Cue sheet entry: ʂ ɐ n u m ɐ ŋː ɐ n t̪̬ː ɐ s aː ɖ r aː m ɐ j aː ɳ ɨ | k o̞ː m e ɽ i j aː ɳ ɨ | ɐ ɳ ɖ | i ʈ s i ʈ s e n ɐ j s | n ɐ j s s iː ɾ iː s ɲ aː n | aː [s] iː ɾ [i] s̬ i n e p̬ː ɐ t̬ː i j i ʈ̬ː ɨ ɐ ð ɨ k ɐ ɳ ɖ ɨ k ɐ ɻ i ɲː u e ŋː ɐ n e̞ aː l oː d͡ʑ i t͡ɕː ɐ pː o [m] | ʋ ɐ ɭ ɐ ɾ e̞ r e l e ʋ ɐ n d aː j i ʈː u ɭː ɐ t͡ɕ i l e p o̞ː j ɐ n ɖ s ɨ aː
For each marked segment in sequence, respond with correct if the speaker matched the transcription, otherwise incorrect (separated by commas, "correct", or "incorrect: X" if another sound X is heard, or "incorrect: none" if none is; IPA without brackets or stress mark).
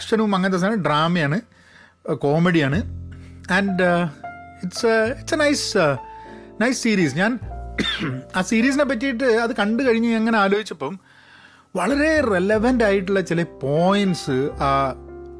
correct, incorrect: iː, correct